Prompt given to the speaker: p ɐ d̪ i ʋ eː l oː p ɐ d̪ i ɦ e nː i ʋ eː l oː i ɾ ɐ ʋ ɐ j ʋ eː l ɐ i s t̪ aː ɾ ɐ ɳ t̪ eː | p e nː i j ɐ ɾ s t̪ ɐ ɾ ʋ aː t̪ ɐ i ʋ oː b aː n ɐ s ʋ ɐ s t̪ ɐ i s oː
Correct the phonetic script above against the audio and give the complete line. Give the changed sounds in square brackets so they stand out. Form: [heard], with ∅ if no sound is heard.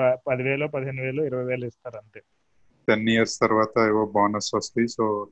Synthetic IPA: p ɐ d̪ i ʋ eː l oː p ɐ d̪ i ɦ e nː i ʋ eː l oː i ɾ ɐ ʋ ɐ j ʋ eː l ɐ i s t̪ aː ɾ ɐ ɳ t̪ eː | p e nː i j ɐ ɾ s t̪ ɐ ɾ ʋ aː t̪ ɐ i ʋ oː b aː n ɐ s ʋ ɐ s t̪ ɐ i s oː